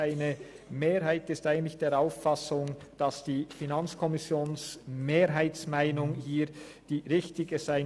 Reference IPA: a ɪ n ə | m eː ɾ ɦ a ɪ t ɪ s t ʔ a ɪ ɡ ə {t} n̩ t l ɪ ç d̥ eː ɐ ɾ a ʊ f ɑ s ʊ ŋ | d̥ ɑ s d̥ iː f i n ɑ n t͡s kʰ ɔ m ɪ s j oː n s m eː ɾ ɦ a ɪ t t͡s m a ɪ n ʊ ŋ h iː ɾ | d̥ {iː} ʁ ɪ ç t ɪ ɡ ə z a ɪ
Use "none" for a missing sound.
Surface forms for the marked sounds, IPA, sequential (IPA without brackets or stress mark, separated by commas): none, iː